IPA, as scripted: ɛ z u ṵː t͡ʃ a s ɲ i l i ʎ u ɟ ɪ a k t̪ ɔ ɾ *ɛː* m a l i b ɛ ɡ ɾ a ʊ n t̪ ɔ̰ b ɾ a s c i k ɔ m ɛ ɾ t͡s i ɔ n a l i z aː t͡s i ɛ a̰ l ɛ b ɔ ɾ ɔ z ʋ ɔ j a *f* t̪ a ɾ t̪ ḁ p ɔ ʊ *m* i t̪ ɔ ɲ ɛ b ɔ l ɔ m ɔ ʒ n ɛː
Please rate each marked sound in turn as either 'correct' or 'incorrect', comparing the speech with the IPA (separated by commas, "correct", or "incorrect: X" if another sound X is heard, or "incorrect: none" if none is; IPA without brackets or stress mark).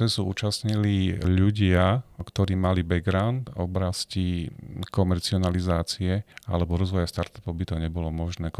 incorrect: iː, incorrect: s, incorrect: b